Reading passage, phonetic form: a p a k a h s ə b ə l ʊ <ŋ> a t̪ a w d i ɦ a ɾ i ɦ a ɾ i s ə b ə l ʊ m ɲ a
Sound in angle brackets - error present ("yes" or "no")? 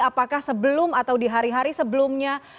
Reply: yes